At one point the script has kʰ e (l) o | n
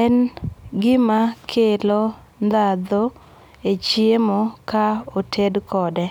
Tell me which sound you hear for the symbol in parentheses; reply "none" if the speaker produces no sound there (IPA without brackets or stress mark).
l